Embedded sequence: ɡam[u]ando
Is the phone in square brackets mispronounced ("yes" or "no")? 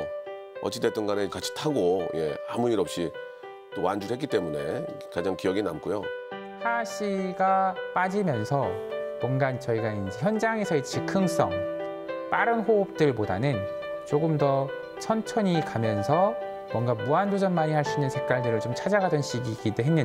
no